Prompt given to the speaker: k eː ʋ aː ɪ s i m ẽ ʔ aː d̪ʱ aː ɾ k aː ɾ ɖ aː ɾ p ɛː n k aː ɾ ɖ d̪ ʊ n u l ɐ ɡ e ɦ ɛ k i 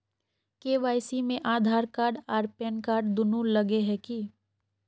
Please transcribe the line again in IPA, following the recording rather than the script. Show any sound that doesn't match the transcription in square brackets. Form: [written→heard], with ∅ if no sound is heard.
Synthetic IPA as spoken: k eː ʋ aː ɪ s i m ẽ ʔ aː d̪ʱ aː ɾ k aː ɾ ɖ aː ɾ p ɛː n k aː ɾ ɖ d̪ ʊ n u l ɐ ɡ e ɦ ɛ k i